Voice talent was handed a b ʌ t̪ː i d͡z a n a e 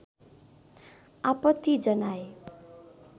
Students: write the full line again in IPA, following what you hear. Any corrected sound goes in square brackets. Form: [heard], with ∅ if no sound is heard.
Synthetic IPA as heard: a [p] ʌ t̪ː i d͡z [ʌ] n a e